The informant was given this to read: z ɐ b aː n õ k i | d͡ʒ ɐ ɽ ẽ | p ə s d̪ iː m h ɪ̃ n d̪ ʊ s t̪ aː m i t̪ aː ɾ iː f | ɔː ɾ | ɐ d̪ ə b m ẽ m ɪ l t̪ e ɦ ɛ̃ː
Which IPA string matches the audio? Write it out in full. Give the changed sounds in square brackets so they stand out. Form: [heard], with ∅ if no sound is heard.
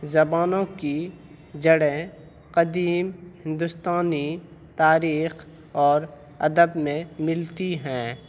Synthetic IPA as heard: z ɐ b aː n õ k i | d͡ʒ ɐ ɽ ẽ | [q] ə [∅] d̪ iː m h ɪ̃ n d̪ ʊ s t̪ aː [n] i t̪ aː ɾ iː [x] | ɔː ɾ | ɐ d̪ ə b m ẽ m ɪ l t̪ [i] ɦ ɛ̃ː